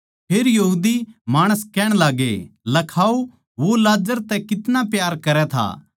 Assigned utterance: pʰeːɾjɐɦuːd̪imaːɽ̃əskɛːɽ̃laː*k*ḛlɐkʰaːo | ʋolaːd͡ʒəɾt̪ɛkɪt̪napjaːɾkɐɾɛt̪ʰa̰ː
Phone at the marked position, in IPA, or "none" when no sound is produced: ɡ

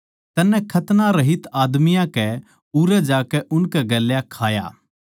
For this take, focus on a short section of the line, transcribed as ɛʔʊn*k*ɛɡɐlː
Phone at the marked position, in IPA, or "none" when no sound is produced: k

